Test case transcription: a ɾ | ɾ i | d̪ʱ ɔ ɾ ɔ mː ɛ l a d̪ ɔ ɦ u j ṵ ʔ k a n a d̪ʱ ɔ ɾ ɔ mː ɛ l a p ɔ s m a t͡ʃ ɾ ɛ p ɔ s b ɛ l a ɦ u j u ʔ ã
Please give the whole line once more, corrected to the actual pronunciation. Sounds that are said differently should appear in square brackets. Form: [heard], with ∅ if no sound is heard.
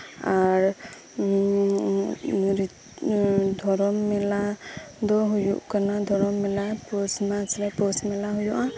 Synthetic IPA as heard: a ɾ | ɾ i | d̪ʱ ɔ ɾ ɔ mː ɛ l a d̪ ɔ ɦ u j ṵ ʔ k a n a d̪ʱ ɔ ɾ ɔ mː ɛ l a p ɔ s m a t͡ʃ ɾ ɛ p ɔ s [m] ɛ l a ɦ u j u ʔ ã